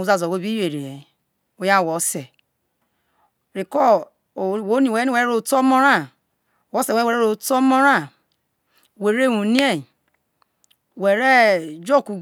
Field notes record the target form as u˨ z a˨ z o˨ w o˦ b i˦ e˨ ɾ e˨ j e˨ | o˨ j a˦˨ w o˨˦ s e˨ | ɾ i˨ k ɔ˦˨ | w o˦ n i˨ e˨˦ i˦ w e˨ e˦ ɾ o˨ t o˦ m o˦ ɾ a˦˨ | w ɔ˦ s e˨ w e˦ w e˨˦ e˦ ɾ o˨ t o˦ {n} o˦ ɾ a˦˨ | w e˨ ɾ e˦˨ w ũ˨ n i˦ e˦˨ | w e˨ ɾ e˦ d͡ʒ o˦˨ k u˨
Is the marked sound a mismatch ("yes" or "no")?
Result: yes